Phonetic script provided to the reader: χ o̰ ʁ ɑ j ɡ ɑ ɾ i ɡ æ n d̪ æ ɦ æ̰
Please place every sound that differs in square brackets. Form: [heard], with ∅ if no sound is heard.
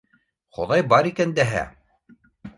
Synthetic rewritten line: χ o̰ [ð] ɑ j [b] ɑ ɾ i [k] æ n d̪ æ ɦ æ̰

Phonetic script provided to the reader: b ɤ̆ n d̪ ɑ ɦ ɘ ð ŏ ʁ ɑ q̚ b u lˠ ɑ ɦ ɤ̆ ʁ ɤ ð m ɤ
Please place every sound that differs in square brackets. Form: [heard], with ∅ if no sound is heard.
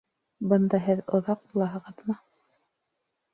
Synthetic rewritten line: b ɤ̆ n d̪ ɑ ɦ ɘ ð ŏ [ð] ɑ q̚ b u lˠ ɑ ɦ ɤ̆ ʁ ɤ ð m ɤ

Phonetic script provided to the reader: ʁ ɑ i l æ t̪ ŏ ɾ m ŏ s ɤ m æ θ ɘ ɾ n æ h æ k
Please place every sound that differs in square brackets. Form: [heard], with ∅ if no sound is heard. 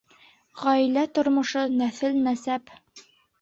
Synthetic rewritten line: ʁ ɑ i l æ t̪ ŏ ɾ m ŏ [ʃ] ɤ [n] æ θ ɘ [l] n æ [s] æ [p]

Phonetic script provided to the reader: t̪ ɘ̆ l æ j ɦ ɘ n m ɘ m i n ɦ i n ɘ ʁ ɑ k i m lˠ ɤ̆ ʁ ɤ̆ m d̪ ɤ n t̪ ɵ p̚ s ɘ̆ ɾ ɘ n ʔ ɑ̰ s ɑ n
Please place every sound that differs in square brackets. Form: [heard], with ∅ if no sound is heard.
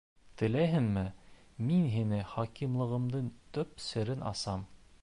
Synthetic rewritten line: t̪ ɘ̆ l æ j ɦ ɘ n m ɘ m i n ɦ i n ɘ [χ] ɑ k i m lˠ ɤ̆ ʁ ɤ̆ m d̪ ɤ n t̪ ɵ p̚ s ɘ̆ ɾ ɘ n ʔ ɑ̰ s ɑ [m]

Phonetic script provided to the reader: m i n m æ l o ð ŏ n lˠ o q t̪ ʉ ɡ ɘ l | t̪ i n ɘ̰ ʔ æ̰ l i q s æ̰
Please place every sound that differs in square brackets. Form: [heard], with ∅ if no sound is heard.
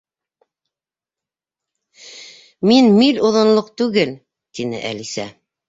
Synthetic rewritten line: m i n m [i] l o ð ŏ n lˠ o q t̪ ʉ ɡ ɘ l | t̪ i n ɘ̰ ʔ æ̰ l i [∅] s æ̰

